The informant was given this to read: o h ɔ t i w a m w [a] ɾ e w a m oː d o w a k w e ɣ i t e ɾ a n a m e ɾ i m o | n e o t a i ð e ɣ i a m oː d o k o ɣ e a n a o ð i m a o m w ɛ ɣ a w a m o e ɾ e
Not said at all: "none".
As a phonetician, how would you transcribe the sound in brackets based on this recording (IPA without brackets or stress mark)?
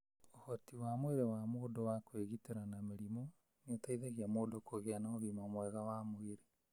e